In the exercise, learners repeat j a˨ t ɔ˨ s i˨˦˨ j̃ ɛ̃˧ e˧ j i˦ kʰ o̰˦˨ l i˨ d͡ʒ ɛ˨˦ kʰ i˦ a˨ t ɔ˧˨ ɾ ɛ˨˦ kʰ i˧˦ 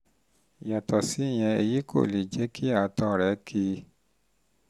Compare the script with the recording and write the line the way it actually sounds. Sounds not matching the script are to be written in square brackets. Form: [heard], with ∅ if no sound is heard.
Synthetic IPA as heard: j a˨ t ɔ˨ s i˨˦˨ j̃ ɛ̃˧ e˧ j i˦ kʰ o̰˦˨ l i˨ d͡ʒ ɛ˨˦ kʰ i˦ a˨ t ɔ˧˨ ɾ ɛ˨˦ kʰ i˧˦